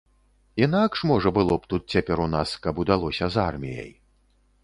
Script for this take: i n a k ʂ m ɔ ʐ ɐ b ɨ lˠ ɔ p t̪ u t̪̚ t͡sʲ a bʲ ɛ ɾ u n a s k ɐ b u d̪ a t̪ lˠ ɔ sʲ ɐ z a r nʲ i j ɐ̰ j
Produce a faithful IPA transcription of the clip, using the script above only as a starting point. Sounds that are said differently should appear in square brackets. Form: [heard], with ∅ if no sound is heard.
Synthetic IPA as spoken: i n a k ʂ m ɔ ʐ ɐ b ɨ lˠ ɔ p t̪ u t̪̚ t͡sʲ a [pʲ] ɛ ɾ u n a s k ɐ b u d̪ a [∅] lˠ ɔ sʲ ɐ z a r [mʲ] i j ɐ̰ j